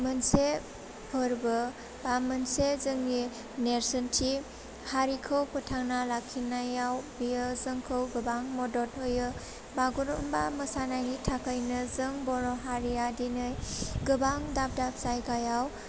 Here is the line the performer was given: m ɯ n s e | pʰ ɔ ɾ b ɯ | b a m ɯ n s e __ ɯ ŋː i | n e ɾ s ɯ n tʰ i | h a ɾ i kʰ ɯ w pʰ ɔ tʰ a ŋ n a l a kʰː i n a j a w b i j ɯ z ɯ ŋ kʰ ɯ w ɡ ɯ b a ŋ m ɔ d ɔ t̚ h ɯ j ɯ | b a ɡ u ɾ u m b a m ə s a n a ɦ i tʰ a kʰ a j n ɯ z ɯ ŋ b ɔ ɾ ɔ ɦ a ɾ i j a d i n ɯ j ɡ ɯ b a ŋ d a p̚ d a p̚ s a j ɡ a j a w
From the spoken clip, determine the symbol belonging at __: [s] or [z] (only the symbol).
z